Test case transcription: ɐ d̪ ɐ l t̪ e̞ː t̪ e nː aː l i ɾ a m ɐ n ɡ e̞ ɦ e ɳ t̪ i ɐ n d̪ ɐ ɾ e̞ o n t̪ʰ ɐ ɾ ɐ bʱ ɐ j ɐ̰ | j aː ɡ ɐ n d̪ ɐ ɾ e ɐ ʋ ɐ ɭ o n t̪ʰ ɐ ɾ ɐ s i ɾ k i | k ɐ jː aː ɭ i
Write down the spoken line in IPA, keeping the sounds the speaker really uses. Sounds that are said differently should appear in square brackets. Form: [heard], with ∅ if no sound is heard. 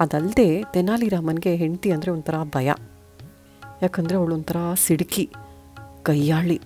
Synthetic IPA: ɐ d̪ ɐ l [d̪] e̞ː t̪ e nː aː l i ɾ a m ɐ n ɡ e̞ ɦ e ɳ t̪ i ɐ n d̪ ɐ ɾ e̞ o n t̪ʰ ɐ ɾ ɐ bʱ ɐ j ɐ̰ | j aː [k] ɐ n d̪ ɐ ɾ e ɐ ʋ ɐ ɭ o n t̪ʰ ɐ ɾ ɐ s i [ɽ] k i | k ɐ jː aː ɭ i